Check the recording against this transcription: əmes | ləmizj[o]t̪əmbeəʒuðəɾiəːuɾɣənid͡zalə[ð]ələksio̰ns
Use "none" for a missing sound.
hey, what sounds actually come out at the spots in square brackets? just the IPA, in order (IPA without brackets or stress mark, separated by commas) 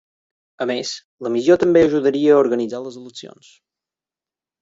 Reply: o, z